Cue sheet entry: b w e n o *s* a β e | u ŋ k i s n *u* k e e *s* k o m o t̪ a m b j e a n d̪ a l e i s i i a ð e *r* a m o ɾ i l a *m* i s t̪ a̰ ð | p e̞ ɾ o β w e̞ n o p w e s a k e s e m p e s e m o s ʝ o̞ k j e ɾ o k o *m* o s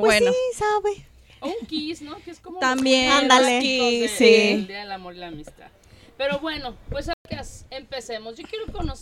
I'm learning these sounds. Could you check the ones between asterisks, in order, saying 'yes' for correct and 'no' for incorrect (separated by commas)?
yes, no, yes, no, yes, no